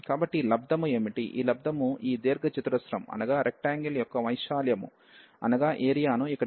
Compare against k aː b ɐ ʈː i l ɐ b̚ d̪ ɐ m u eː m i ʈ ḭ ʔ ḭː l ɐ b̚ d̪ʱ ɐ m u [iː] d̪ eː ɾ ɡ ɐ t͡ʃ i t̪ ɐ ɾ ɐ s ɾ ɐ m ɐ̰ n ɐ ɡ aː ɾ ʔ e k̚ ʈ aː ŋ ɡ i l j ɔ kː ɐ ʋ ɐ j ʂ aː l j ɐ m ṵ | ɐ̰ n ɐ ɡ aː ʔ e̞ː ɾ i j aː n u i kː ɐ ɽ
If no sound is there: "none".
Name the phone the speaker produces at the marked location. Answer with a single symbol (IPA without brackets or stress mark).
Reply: iː